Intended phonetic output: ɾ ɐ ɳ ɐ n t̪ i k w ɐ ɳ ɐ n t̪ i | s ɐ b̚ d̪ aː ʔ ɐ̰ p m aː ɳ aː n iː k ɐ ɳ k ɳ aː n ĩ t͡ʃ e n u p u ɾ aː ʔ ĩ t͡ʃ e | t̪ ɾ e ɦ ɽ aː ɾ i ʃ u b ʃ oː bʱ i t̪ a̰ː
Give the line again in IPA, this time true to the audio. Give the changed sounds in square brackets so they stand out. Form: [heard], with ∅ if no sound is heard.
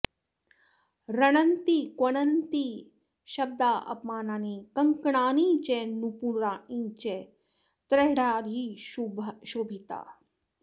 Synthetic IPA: ɾ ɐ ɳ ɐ n t̪ i k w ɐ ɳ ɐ n t̪ i | [ʃ] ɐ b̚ d̪ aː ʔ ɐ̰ p m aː [n] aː n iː k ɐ [ŋ] k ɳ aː n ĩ t͡ʃ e n u p u ɾ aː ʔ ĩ t͡ʃ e | t̪ ɾ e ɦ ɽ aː ɾ i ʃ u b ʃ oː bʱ i t̪ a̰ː